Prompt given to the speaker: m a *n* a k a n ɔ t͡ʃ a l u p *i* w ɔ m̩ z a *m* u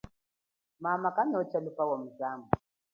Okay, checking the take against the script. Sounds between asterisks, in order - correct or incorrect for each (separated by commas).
incorrect, incorrect, correct